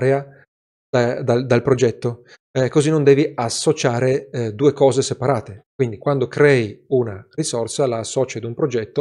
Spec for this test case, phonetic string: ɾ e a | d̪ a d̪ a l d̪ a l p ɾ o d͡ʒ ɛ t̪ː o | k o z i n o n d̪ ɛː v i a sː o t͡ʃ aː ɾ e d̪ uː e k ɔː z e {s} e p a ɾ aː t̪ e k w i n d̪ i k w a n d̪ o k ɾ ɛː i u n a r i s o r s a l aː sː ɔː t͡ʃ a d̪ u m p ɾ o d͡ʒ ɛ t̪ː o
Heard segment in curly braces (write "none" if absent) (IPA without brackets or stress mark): s